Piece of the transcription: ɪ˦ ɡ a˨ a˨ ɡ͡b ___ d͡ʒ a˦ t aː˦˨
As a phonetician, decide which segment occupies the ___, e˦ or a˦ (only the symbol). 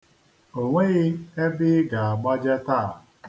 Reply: a˦